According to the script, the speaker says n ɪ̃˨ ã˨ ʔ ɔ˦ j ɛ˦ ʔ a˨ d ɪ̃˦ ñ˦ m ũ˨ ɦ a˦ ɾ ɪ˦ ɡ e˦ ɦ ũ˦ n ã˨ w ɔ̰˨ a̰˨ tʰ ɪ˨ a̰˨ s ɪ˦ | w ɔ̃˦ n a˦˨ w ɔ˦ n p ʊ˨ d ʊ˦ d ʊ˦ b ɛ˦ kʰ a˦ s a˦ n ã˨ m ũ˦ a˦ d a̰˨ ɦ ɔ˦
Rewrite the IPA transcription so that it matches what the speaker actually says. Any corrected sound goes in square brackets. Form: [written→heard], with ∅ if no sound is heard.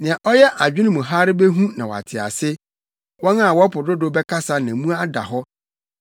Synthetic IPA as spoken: n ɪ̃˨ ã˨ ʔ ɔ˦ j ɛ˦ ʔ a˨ [d→d͡ʑᶣ] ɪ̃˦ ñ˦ m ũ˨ ɦ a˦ ɾ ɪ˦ [ɡ→b] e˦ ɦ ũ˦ n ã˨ w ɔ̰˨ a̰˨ tʰ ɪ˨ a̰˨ s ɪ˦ | w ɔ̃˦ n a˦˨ w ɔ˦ [n→∅] p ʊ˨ d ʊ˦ d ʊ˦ b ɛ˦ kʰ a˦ s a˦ n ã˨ m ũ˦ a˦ d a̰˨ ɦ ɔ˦

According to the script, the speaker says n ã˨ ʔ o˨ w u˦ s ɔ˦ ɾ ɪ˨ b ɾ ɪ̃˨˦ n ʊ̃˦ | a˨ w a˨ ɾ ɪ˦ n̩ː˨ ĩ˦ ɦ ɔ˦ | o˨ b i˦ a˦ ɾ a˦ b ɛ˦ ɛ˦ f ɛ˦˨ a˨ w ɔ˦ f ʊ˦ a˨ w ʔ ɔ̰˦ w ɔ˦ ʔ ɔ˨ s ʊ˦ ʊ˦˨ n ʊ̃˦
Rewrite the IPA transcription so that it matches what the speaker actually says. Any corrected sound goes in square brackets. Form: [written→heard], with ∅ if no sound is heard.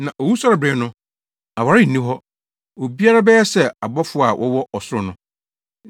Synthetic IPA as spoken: n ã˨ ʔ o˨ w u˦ s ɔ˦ ɾ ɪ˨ b ɾ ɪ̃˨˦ n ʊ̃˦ | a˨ w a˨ ɾ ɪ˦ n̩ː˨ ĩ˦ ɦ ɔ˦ | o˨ b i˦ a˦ ɾ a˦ b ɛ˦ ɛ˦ [f→s] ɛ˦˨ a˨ [w→b] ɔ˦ f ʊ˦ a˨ w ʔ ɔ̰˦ w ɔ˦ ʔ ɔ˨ s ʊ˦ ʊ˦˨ n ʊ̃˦

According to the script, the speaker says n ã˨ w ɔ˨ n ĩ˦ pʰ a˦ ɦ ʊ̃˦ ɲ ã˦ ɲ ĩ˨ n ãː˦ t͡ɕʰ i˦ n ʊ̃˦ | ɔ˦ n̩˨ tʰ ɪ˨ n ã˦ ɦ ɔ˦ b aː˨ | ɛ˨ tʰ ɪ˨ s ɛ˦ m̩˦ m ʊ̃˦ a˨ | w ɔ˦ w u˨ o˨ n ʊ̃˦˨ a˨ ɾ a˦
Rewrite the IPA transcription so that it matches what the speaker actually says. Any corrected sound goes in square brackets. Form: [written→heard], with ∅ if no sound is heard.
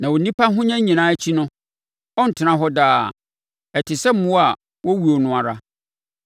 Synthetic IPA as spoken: n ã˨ w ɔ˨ n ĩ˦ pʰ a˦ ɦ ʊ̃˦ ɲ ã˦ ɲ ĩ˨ n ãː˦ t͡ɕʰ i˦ n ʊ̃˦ | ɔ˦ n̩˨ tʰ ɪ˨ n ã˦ ɦ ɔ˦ [b→d] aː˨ | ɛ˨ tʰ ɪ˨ s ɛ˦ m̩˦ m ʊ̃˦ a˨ | w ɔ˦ w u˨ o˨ n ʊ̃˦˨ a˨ ɾ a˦

